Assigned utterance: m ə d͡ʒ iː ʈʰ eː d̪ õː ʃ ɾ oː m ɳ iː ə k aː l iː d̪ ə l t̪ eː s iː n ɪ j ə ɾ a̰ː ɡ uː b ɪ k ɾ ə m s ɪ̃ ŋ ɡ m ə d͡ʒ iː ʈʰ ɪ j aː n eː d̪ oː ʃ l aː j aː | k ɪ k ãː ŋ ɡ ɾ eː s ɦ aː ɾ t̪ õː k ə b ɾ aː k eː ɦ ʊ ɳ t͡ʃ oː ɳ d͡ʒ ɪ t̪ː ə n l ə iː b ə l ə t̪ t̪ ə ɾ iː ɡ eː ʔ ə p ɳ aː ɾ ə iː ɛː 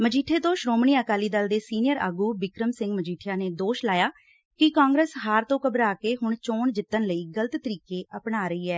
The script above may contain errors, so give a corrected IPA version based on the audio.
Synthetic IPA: m ə d͡ʒ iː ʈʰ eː t̪ õː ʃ ɾ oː m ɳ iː ə k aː l iː d̪ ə l d̪ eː s iː n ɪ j ə ɾ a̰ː ɡ uː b ɪ k ɾ ə m s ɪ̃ ŋ ɡ m ə d͡ʒ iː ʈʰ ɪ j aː n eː d̪ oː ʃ l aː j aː | k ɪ k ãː ŋ ɡ ɾ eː s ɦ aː ɾ t̪ õː k ə b ɾ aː k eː ɦ ʊ ɳ t͡ʃ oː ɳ d͡ʒ ɪ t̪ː ə n l ə iː ɡ ə l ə t̪ t̪ ə ɾ iː k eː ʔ ə p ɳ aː ɾ ə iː ɛː